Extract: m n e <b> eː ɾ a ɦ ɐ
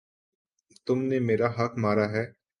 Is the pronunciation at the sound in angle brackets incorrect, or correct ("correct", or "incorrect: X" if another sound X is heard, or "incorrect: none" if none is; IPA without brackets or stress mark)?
incorrect: m